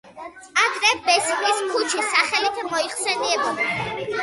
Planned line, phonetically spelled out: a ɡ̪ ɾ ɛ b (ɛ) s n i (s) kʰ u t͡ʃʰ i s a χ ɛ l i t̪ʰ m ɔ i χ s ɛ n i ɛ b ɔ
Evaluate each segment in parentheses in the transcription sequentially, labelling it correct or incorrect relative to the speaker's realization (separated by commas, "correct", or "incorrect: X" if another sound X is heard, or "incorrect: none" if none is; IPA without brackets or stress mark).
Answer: correct, correct